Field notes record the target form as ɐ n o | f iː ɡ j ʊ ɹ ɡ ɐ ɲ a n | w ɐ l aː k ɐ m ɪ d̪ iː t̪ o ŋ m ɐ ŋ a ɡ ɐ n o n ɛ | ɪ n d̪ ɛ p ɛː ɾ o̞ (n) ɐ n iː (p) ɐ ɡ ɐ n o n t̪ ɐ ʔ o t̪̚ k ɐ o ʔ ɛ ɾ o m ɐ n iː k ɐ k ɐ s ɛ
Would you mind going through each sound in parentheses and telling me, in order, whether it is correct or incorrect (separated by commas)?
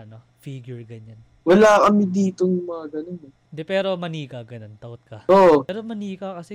incorrect, incorrect